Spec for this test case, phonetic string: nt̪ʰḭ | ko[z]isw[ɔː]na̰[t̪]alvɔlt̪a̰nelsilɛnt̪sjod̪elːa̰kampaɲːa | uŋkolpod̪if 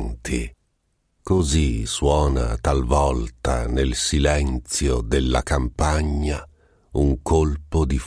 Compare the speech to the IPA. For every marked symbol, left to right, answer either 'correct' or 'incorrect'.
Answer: correct, correct, correct

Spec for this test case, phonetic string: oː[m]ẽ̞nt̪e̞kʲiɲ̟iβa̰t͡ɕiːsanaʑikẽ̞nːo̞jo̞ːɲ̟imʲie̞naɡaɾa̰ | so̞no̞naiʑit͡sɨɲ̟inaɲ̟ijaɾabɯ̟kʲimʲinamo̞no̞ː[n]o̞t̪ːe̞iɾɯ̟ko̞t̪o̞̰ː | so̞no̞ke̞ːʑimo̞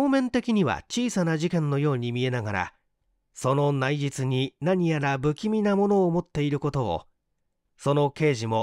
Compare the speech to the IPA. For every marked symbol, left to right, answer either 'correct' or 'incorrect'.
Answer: correct, incorrect: m

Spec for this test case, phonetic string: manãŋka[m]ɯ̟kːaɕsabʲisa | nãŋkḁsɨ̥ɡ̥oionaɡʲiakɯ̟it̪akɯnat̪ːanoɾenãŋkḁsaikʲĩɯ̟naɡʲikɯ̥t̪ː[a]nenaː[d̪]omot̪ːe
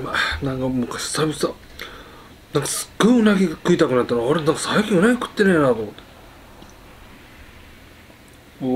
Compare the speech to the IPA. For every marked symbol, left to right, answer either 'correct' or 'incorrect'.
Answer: correct, incorrect: e, incorrect: t̪

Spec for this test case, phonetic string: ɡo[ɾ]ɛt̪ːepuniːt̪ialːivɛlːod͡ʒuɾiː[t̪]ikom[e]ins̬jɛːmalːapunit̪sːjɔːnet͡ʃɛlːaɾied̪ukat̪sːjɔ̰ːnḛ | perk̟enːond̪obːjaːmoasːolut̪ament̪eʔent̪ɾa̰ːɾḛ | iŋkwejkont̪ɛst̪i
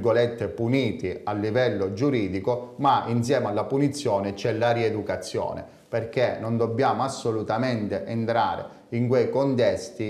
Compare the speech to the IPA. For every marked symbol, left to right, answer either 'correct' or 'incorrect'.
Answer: incorrect: l, incorrect: d̪, incorrect: a

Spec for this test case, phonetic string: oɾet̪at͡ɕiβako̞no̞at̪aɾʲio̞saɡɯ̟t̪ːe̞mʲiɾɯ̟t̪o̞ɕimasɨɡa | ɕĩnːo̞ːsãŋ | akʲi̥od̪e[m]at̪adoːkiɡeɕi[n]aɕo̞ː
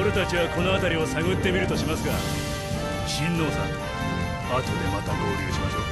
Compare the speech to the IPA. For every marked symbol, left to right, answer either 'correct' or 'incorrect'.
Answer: correct, incorrect: m

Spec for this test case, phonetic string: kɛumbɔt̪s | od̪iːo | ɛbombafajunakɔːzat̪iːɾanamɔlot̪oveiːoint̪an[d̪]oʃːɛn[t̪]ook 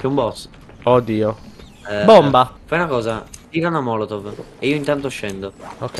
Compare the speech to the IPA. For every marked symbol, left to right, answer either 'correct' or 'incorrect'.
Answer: incorrect: t̪, incorrect: d̪

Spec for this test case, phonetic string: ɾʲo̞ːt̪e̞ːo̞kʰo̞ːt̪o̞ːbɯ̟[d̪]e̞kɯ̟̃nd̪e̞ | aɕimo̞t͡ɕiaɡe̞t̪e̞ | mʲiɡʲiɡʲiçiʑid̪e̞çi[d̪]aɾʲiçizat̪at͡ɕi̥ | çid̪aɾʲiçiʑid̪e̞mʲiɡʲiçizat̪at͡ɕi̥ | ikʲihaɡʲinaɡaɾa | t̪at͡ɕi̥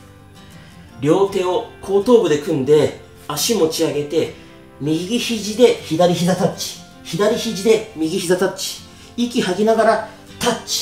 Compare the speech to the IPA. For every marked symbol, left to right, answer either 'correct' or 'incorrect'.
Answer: correct, correct

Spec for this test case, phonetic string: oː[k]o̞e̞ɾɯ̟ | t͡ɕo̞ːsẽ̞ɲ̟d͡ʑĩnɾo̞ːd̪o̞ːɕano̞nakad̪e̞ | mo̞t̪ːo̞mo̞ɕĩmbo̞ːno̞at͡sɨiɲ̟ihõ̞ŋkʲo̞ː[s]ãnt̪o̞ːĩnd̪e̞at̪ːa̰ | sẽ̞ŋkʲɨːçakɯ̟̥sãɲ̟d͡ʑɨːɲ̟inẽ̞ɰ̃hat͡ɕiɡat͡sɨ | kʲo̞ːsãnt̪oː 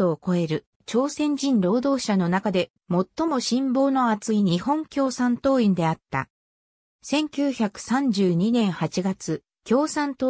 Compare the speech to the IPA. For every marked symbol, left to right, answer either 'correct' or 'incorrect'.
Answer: correct, correct

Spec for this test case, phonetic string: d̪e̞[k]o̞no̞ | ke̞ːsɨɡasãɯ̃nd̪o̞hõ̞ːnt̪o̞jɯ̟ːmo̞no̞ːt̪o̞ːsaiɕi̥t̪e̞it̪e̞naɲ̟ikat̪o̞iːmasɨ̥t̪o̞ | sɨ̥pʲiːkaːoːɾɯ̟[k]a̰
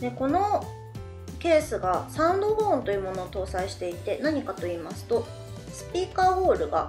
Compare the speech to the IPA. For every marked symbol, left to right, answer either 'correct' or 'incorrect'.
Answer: correct, incorrect: ɡ

